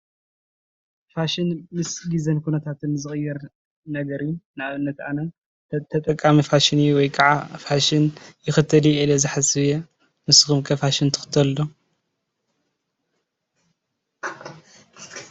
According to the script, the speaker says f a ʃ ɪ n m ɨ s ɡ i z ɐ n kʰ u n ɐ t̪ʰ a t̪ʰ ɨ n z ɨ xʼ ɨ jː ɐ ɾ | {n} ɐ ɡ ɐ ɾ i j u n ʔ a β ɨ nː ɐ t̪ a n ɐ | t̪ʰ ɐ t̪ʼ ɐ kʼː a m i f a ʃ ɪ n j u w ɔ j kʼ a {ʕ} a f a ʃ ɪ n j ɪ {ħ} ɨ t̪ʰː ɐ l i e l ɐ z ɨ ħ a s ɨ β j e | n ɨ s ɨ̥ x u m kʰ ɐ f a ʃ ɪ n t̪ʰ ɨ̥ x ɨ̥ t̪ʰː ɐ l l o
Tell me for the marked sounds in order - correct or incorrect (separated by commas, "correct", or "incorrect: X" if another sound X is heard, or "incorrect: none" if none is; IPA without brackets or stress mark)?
correct, correct, incorrect: x